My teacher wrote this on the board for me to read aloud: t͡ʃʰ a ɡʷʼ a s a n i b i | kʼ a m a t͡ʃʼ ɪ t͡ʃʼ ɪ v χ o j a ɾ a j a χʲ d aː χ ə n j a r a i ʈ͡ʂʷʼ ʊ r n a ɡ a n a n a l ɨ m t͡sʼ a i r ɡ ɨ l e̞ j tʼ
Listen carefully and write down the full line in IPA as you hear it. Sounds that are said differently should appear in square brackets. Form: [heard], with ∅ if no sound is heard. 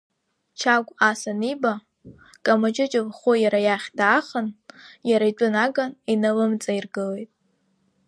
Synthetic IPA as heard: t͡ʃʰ a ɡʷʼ a s a n i b [a] | kʼ a m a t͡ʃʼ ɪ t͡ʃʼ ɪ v χ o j a ɾ a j a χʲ d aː χ ə n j a [ɾ] a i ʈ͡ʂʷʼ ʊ [∅] n a ɡ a n [i] n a l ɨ m t͡sʼ a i r ɡ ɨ l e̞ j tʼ

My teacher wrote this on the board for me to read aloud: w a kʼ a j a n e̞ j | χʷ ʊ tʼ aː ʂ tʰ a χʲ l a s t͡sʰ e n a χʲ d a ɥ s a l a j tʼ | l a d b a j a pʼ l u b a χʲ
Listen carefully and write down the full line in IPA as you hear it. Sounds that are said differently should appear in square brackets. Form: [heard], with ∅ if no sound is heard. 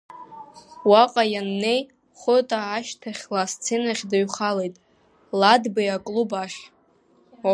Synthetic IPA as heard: w a [qʼ] a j a [nː] e̞ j | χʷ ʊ tʼ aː [ʃ] tʰ a χʲ l a s t͡sʰ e n a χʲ d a ɥ [χ] a l [e] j tʼ | l a d b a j a [kʼ] l u b a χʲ

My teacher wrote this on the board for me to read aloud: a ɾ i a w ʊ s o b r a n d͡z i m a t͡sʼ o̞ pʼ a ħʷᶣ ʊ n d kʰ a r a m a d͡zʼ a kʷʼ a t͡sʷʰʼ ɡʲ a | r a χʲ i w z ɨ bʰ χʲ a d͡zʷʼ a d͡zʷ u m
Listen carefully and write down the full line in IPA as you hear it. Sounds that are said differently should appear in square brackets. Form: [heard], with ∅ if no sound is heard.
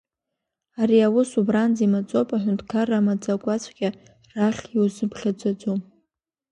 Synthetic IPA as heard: a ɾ i a w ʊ s [u] b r a n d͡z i m a t͡sʼ o̞ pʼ a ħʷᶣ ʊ n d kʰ a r a m a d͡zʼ a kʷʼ a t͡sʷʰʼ ɡʲ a | r a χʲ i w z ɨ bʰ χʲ a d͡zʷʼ a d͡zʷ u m

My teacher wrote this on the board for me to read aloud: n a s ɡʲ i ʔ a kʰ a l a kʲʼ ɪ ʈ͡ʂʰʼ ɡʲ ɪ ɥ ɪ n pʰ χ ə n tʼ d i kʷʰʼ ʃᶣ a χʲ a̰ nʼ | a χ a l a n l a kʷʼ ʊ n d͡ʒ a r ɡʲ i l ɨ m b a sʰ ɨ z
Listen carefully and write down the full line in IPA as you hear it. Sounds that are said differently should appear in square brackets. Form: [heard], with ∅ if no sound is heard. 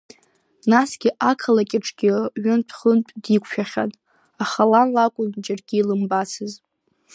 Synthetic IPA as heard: n a s ɡʲ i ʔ a kʰ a l a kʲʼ ɪ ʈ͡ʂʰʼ ɡʲ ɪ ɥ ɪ n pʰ χ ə n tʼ d i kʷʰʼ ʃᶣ a χʲ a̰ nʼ | a χ a l a n l a kʷʼ ʊ n d͡ʒ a r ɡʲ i l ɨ m b a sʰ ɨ z

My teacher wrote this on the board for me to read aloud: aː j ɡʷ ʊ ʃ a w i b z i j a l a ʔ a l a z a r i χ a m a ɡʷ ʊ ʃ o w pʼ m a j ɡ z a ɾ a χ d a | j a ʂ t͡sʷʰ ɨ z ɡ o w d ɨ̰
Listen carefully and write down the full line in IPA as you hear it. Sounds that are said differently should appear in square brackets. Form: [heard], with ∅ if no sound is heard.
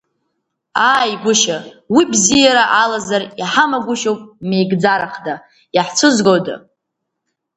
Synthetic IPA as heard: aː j ɡʷ ʊ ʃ a w i b z i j a [ɾ] a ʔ a l a z a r i [ħ] a m a ɡʷ ʊ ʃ o w pʼ m [e] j ɡ [d͡z] a ɾ a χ d a | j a [ħ] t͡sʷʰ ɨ z ɡ o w d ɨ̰

